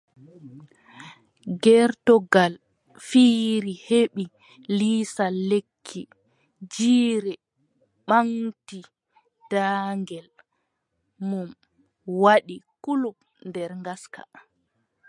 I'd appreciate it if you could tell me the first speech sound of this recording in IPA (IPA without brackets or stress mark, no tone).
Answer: ɡ